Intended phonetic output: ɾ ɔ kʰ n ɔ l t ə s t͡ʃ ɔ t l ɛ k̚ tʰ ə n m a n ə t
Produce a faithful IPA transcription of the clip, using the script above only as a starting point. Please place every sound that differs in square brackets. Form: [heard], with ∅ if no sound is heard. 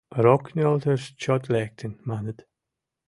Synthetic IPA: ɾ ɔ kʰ n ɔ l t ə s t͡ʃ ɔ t l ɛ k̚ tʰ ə n m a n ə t